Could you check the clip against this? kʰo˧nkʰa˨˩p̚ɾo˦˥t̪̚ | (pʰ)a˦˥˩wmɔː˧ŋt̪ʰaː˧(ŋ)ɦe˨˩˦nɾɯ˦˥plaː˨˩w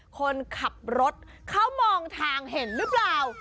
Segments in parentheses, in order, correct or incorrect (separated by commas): incorrect, correct